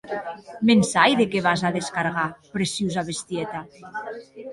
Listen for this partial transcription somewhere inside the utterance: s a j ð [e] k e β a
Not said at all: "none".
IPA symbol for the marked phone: e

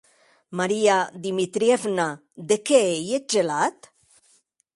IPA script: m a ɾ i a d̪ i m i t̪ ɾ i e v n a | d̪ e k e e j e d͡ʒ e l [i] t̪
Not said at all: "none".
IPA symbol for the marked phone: a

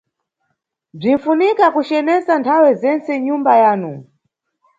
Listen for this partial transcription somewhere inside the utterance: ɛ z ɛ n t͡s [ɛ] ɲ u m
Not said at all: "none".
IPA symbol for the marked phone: ɛ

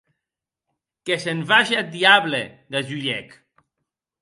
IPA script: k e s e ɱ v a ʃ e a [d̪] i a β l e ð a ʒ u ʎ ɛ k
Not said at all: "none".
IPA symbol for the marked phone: d̪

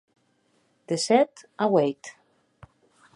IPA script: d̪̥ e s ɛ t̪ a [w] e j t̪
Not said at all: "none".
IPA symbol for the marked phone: w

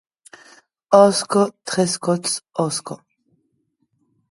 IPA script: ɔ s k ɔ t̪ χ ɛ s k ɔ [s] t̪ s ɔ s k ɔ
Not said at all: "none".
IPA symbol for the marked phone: none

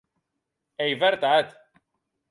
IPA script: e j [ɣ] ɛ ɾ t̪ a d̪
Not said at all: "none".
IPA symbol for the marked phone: v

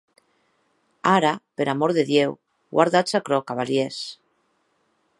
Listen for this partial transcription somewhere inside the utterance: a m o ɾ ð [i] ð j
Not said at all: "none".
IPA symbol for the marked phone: e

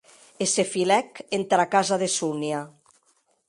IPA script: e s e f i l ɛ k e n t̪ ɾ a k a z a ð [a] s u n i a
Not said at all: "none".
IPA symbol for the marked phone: e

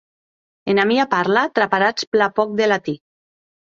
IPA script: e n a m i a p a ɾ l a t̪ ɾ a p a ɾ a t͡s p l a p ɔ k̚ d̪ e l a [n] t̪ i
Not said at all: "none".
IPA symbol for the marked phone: none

